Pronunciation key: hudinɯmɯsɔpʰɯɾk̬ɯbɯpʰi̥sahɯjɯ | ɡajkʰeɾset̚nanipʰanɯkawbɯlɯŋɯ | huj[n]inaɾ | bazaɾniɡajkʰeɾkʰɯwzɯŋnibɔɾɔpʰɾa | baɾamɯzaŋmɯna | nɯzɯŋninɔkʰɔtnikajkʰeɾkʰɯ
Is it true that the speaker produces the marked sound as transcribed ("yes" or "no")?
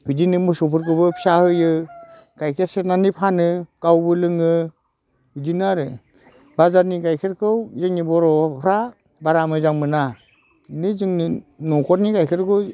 no